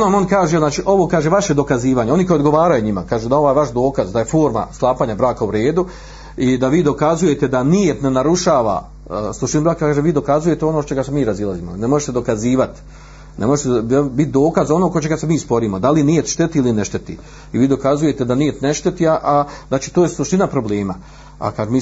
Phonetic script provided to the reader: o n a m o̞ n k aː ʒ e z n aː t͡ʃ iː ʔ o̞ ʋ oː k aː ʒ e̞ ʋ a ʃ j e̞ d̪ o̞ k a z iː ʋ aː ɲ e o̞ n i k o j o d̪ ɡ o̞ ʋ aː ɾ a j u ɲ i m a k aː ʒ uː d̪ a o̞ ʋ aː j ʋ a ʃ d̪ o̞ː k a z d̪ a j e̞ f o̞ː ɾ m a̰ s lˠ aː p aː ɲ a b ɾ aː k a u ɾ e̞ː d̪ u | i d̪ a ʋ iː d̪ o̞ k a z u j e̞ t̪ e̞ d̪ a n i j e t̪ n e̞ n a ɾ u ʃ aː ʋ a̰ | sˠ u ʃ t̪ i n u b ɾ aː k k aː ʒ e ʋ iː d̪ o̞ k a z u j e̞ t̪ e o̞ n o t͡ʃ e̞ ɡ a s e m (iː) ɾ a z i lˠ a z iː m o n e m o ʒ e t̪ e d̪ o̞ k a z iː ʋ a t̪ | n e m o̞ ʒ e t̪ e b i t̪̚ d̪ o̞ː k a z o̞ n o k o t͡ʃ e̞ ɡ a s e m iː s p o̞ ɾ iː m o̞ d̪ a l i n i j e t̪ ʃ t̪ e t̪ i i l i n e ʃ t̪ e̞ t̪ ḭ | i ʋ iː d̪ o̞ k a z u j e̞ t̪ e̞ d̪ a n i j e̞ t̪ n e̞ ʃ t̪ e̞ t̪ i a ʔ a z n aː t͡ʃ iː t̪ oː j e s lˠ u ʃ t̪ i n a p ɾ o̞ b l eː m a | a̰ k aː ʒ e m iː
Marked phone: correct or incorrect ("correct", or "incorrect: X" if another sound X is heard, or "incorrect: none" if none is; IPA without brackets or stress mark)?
correct